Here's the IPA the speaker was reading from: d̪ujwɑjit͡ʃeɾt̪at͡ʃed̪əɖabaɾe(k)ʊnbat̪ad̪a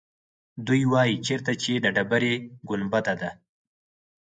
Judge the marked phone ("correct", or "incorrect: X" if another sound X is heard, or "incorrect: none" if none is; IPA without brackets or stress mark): incorrect: ɡ